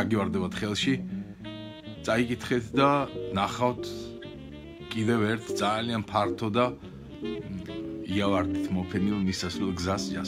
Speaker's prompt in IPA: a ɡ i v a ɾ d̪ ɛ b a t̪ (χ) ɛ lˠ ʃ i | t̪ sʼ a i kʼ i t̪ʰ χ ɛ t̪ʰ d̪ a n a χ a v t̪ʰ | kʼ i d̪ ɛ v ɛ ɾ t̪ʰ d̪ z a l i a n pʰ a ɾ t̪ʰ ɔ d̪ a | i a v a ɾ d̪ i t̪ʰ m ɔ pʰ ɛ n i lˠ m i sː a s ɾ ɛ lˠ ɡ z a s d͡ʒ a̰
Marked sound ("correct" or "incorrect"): correct